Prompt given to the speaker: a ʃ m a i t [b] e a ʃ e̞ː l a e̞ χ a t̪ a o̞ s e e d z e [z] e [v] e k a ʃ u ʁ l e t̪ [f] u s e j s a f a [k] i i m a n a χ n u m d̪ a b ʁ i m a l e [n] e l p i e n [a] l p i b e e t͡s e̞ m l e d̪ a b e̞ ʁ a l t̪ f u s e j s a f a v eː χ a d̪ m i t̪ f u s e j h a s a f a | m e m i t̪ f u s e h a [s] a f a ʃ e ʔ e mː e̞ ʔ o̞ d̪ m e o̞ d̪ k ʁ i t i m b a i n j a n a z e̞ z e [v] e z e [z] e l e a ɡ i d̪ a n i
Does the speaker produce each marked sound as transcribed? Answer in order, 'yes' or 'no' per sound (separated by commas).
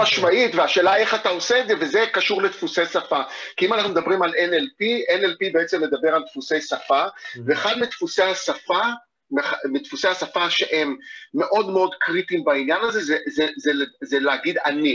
no, no, no, yes, yes, yes, no, yes, no, yes